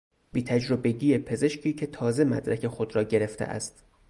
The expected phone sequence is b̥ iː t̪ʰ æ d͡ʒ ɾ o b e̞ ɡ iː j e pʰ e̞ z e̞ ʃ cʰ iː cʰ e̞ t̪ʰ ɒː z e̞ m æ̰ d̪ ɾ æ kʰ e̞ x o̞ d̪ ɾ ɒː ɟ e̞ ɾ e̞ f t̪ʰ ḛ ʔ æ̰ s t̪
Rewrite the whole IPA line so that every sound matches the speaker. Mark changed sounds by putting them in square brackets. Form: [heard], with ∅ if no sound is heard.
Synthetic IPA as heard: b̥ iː t̪ʰ æ d͡ʒ ɾ o b e̞ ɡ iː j e pʰ e̞ z e̞ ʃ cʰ iː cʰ e̞ t̪ʰ ɒː z e̞ m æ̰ d̪ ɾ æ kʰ e̞ x o̞ d̪ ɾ ɒː ɟ e̞ ɾ e̞ f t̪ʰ ḛ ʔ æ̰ s t̪